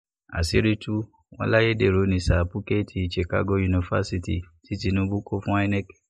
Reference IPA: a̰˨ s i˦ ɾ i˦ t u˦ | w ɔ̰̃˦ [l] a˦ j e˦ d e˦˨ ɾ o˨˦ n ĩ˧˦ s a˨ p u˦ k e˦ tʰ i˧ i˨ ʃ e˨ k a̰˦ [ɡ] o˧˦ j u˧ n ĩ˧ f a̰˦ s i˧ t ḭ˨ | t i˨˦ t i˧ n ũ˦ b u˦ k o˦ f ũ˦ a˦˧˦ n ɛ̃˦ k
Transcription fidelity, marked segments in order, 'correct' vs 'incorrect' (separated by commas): correct, correct